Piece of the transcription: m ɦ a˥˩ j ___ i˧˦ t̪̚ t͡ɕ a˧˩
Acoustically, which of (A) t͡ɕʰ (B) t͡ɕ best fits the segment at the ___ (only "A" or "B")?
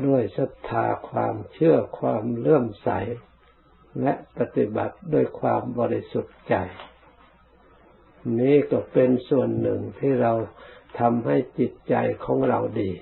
B